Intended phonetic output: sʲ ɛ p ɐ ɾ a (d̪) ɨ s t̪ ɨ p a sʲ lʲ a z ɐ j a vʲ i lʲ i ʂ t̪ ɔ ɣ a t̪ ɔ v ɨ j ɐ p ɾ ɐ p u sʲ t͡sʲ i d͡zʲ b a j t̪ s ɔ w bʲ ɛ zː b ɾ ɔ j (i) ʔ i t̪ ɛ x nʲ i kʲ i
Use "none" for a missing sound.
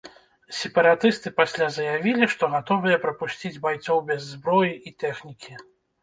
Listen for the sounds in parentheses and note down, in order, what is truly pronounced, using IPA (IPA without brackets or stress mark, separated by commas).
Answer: t̪, i